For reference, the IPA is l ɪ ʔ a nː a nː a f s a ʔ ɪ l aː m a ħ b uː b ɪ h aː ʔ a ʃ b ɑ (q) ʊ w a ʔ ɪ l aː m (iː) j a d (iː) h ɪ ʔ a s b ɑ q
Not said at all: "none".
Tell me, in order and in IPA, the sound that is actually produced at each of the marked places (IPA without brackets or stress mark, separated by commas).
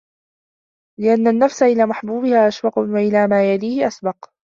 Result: q, aː, iː